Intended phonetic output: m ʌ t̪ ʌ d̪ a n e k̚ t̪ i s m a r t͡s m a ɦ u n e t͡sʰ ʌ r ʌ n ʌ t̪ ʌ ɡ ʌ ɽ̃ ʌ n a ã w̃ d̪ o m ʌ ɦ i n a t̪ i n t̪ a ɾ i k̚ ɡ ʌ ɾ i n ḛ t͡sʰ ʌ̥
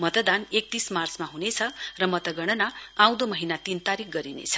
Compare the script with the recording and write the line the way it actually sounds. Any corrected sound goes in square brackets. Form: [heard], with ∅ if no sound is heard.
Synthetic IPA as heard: m ʌ t̪ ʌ d̪ a n e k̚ t̪ i s m a r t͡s m a ɦ u n e t͡sʰ ʌ r ʌ [m] ʌ t̪ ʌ ɡ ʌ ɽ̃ ʌ n a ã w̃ d̪ o m ʌ ɦ i n a t̪ i n t̪ a ɾ i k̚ ɡ ʌ ɾ i n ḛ t͡sʰ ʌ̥